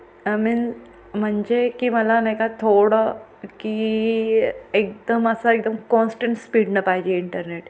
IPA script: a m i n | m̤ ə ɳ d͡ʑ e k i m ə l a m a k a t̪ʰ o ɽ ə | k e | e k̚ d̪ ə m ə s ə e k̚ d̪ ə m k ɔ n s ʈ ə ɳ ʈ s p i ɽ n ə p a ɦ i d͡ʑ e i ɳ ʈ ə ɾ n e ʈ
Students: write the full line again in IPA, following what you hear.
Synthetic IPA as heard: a m i n | m̤ ə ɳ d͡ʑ e k i m ə l a n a k a t̪ʰ o ɽ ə | k i | e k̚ d̪ ə m ə s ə e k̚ d̪ ə m k ɔ n s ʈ ə ɳ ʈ s p i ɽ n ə p a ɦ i d͡ʑ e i ɳ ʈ ə ɾ n e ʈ